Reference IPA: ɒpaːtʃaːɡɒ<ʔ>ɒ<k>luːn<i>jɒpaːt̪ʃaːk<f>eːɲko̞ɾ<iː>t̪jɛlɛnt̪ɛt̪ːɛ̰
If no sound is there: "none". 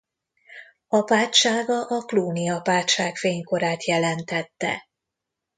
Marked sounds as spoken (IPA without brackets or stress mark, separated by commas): ʔ, k, i, f, aː